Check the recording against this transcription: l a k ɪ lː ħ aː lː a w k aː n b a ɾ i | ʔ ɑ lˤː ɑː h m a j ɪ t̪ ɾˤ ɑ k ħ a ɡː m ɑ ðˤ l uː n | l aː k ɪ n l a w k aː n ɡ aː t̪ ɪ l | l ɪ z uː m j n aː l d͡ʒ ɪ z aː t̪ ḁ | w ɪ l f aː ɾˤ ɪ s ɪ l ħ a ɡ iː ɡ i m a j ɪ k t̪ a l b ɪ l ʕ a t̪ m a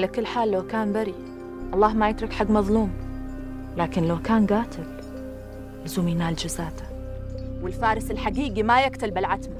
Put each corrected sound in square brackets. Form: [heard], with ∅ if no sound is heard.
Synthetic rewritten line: l a k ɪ lː ħ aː lː a w k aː n b a ɾ i | ʔ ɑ lˤː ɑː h m a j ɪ t̪ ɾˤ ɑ k ħ a ɡː m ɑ ðˤ l uː [m] | l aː k ɪ n l a w k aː n ɡ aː t̪ ɪ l | l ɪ z uː m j n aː l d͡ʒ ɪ z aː t̪ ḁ | w ɪ l f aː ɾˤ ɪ s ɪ l ħ a ɡ iː ɡ i m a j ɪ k t̪ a l b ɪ l ʕ a t̪ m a